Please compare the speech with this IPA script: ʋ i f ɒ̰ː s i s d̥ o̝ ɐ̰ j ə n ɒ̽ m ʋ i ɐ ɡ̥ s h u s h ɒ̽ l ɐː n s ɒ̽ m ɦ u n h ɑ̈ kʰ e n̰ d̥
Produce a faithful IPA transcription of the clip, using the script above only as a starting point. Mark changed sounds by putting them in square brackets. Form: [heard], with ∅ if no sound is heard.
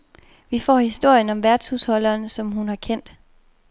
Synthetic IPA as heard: ʋ i f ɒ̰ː [h] i s d̥ o̝ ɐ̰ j ə n ɒ̽ m ʋ [æ] ɐ [d̥] s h u s h ɒ̽ l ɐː n s ɒ̽ m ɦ u n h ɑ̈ kʰ e n̰ d̥